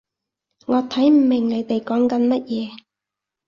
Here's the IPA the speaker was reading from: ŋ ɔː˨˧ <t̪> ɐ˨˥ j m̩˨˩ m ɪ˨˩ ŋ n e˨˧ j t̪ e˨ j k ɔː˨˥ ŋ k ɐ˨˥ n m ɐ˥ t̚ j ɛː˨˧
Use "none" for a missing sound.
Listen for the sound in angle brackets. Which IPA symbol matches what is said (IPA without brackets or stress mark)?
t̪ʰ